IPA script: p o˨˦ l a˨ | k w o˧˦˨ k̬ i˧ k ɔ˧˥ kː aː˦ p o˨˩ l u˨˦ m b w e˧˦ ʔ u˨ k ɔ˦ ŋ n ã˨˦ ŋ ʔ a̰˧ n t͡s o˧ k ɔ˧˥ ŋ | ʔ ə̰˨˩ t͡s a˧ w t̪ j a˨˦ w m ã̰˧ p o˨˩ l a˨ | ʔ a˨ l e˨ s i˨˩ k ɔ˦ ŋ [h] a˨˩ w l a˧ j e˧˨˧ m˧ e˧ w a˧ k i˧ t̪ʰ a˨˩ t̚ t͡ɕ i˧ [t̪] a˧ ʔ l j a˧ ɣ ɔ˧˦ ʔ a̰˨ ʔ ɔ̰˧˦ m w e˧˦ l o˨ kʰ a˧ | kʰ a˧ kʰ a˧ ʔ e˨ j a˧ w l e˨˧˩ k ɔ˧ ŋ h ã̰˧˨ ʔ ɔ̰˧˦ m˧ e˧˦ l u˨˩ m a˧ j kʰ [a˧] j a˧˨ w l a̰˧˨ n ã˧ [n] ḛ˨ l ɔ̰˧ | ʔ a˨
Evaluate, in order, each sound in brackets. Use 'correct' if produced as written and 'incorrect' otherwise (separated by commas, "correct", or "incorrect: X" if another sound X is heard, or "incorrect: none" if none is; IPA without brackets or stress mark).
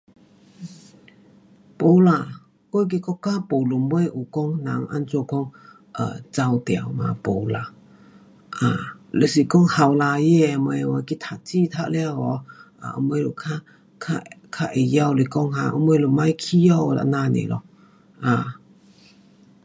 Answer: correct, incorrect: t̪ʰ, incorrect: i˧, correct